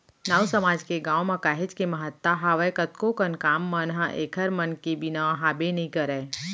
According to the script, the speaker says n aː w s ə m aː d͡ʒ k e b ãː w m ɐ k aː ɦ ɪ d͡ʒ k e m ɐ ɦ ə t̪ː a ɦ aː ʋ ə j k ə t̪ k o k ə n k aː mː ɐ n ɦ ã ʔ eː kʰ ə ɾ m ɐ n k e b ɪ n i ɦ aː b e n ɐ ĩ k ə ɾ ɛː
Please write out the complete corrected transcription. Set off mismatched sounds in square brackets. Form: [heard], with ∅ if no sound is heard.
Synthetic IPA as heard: n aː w s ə m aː d͡ʒ k e [ɡ] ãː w m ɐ k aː ɦ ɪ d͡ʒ k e m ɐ ɦ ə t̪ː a ɦ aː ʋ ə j k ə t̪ k o k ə n k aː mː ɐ n ɦ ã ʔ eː kʰ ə ɾ m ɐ n k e b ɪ n [a] ɦ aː b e n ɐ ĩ k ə ɾ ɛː

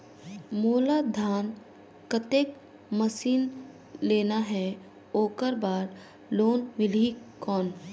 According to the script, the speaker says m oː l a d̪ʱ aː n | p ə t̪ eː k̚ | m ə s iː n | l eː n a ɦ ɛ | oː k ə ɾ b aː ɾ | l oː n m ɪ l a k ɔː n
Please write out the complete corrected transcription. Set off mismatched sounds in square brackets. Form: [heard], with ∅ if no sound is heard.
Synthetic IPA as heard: m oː l a d̪ʱ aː n | [k] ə t̪ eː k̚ | m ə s iː n | l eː n a ɦ ɛ | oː k ə ɾ b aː ɾ | l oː n m ɪ l [i] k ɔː n

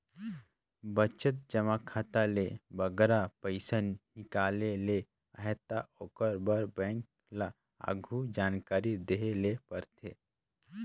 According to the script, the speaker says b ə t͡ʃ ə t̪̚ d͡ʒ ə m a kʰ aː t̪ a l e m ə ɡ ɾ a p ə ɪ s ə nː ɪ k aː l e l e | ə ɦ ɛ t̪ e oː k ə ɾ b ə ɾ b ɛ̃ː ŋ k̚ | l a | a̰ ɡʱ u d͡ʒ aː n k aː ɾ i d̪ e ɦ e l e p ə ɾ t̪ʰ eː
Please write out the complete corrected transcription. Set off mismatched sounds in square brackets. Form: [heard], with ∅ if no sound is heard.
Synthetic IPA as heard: b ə t͡ʃ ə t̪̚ d͡ʒ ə m a kʰ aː t̪ a l e [b] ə ɡ ɾ a p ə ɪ s ə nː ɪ k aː l e l e | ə ɦ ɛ t̪ [a] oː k ə ɾ b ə ɾ b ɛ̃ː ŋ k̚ | l a | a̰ ɡʱ u d͡ʒ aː n k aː ɾ i d̪ e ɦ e l e p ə ɾ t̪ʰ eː

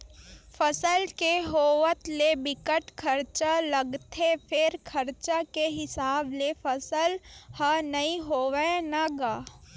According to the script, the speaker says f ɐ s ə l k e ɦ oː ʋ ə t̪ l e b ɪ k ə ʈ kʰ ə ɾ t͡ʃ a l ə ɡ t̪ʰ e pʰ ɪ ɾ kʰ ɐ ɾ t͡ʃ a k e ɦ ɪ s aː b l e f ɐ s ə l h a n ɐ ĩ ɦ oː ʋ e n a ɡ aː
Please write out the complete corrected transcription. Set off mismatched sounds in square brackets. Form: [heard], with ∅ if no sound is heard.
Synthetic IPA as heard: f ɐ s ə l k e ɦ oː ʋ ə t̪ l e b ɪ k ə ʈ kʰ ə ɾ t͡ʃ a l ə ɡ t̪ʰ e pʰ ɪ ɾ kʰ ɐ ɾ t͡ʃ a k e ɦ ɪ s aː b l e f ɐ s ə l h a n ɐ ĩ ɦ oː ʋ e n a ɡ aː

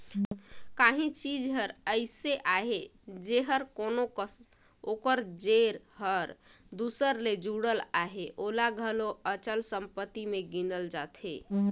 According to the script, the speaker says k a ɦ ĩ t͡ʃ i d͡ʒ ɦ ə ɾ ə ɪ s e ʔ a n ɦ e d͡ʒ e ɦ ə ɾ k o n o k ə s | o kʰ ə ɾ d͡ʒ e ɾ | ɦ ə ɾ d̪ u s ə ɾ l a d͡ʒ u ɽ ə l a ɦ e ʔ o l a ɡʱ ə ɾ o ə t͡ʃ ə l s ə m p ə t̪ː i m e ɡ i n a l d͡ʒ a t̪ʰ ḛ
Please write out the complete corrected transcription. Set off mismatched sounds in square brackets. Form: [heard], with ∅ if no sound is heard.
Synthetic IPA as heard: k a ɦ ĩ t͡ʃ i d͡ʒ ɦ ə ɾ ə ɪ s e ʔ a [∅] ɦ e d͡ʒ e ɦ ə ɾ k o n o k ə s | o [k] ə ɾ d͡ʒ e ɾ | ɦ ə ɾ d̪ u s ə ɾ l [e] d͡ʒ u ɽ ə l a ɦ e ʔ o l a ɡʱ ə [l] o ə t͡ʃ ə l s ə m p ə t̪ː i m e ɡ i n [ə] l d͡ʒ a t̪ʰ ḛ

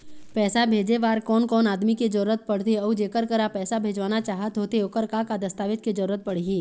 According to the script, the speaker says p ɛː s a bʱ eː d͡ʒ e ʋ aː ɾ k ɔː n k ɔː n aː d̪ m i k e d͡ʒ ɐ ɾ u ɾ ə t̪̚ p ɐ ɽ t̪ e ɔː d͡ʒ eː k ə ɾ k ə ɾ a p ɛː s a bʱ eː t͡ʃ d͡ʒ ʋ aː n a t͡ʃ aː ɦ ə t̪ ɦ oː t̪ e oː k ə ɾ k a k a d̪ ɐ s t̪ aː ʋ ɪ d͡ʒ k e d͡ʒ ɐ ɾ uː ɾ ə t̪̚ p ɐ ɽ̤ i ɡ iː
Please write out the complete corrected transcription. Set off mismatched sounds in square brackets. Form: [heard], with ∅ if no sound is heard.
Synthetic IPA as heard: p ɛː s a bʱ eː d͡ʒ e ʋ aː ɾ k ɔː n k ɔː n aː d̪ m i k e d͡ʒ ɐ ɾ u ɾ ə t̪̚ p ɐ ɽ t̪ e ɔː d͡ʒ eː k ə ɾ k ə ɾ a p ɛː s a bʱ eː [∅] d͡ʒ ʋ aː n a t͡ʃ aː ɦ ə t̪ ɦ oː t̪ e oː k ə ɾ k a k a d̪ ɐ s t̪ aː ʋ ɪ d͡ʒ k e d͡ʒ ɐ ɾ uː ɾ ə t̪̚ p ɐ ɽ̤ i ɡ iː

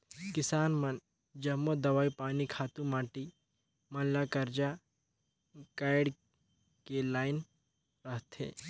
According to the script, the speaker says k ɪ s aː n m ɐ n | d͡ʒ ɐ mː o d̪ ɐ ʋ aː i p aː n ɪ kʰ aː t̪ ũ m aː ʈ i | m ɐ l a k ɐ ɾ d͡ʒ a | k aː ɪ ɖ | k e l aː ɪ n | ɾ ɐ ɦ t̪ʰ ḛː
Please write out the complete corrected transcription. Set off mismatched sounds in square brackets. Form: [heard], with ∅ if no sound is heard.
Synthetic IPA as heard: k ɪ s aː n m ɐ n | d͡ʒ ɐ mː o d̪ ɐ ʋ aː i p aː n [i] kʰ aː t̪ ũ m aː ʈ i | m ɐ l a k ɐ ɾ d͡ʒ a | k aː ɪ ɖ | k e l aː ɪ n | ɾ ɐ ɦ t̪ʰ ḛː

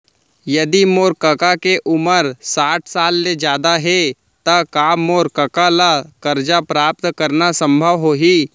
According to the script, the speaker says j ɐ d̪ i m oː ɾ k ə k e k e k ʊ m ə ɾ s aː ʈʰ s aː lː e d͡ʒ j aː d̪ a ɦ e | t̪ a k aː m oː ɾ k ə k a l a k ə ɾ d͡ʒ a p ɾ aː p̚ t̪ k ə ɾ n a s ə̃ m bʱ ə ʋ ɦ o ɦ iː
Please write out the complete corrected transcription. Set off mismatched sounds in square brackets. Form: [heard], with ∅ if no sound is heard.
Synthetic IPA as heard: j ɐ d̪ i m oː ɾ k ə k [a] k e [ʔ] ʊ m ə ɾ s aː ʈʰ s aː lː e d͡ʒ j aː d̪ a ɦ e | t̪ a k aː m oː ɾ k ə k a l a k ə ɾ d͡ʒ a p ɾ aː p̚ t̪ k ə ɾ n a s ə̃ m bʱ ə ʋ ɦ o ɦ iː

